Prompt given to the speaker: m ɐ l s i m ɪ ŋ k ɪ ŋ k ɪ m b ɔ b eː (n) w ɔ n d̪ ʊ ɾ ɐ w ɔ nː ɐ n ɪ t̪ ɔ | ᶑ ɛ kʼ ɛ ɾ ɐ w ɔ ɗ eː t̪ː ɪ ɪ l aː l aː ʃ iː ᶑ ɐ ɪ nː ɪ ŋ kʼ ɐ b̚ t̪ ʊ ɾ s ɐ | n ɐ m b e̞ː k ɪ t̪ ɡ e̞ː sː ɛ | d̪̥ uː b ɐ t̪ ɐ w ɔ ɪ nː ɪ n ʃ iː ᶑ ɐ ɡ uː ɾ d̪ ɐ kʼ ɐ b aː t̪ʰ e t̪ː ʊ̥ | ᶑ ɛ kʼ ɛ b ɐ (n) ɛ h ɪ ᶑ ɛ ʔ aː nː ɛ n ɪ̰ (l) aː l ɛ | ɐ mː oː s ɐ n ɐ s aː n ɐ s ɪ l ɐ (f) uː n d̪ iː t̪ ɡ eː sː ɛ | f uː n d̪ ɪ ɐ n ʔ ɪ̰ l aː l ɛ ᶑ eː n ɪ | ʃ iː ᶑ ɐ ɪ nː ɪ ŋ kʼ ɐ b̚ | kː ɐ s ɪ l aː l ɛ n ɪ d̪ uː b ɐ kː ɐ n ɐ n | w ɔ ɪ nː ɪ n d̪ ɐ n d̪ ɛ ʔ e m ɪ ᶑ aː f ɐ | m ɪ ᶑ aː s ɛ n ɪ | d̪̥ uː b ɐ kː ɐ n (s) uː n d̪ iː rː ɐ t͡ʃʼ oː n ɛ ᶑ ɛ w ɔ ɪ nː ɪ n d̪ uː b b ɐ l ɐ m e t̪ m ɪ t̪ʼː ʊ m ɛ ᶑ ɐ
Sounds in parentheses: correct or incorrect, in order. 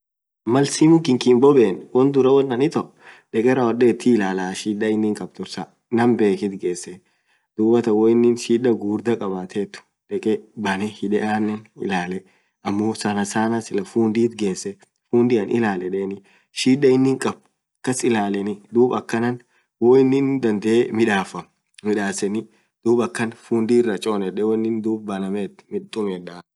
correct, correct, correct, correct, incorrect

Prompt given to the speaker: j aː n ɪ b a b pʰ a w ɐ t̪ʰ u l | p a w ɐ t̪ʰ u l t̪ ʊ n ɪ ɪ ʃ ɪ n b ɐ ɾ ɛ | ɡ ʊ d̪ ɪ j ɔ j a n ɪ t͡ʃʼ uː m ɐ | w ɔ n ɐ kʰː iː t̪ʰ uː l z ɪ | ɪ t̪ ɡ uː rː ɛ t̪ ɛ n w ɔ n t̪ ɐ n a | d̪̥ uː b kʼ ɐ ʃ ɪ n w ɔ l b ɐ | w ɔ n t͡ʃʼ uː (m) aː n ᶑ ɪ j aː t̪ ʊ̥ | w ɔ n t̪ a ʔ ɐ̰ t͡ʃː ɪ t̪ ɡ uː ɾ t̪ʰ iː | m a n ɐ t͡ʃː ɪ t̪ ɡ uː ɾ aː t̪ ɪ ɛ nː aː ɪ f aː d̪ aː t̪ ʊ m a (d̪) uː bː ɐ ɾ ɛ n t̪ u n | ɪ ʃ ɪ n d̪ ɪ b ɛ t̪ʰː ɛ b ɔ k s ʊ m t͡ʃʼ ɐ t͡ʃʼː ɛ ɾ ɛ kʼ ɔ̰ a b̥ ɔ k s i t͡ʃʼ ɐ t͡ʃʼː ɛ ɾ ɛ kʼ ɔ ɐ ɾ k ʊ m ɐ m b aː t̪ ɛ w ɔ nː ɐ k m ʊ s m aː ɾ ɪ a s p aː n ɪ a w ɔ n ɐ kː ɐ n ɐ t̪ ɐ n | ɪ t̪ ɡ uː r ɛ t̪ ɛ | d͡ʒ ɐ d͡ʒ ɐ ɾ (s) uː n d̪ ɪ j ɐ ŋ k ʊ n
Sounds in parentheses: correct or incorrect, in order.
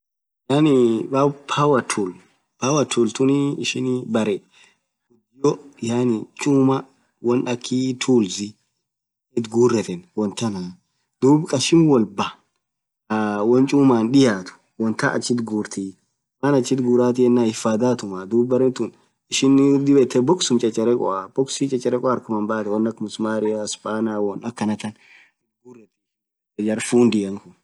correct, correct, incorrect

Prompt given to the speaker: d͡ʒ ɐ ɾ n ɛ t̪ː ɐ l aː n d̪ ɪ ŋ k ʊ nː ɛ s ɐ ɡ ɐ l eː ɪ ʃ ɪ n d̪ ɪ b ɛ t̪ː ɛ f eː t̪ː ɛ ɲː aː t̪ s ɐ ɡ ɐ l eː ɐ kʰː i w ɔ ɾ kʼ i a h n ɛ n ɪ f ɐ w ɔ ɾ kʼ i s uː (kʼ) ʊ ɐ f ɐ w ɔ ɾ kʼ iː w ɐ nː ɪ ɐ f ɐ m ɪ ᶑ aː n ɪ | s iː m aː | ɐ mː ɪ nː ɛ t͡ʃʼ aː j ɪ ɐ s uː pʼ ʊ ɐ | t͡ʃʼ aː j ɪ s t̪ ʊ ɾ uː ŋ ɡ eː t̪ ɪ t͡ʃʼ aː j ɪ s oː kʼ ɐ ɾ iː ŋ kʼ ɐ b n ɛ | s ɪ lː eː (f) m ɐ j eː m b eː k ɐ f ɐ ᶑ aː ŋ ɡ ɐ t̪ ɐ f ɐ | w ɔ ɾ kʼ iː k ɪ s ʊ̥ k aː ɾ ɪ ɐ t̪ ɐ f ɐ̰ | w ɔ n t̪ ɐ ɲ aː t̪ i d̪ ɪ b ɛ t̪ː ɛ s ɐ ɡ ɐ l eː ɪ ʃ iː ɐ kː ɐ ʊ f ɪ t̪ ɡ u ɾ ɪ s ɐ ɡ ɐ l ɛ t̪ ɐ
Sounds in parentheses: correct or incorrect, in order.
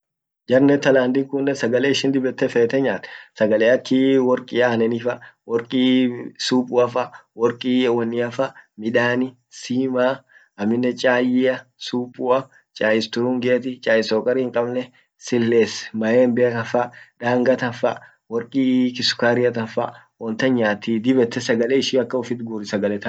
incorrect, incorrect

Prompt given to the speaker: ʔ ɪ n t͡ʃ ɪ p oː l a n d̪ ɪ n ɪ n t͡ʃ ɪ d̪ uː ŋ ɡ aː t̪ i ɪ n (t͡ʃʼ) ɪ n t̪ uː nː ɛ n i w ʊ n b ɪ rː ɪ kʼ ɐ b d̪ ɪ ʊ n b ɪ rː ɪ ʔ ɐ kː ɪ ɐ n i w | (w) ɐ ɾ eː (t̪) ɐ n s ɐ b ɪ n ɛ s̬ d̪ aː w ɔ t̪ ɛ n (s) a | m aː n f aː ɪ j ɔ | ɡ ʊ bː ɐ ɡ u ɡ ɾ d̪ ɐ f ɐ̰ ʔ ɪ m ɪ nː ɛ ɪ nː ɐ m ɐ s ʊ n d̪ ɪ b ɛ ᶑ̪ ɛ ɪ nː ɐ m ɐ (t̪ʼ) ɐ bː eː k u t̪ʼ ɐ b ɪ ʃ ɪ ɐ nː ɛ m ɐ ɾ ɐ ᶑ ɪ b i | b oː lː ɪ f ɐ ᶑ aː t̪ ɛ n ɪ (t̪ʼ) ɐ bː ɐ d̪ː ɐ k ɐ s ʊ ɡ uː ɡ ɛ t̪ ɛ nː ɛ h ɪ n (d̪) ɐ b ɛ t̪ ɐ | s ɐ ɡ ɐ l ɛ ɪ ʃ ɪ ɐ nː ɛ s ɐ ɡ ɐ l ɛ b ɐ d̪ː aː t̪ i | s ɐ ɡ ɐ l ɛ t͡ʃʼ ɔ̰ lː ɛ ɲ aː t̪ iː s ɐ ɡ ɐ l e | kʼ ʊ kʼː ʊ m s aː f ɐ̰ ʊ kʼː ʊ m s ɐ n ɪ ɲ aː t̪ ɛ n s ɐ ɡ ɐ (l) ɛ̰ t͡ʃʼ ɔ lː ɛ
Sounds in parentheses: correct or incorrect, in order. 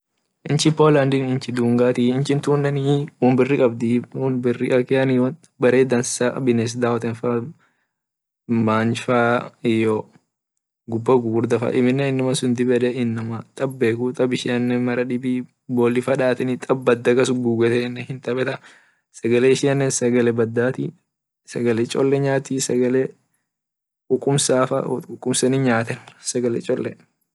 incorrect, incorrect, incorrect, incorrect, correct, correct, incorrect, correct

